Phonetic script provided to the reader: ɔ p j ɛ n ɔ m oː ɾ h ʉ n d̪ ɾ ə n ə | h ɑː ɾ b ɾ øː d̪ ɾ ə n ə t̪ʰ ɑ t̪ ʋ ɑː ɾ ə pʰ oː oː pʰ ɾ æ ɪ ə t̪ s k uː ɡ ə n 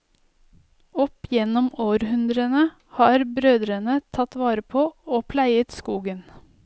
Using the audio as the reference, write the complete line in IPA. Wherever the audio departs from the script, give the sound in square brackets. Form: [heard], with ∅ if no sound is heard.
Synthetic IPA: ɔ p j ɛ n ɔ m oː ɾ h ʉ n d̪ ɾ ə n ə | h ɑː ɾ b ɾ øː d̪ ɾ ə n ə t̪ʰ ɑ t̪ ʋ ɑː ɾ ə pʰ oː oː pʰ [l] æ ɪ ə t̪ s k uː ɡ ə n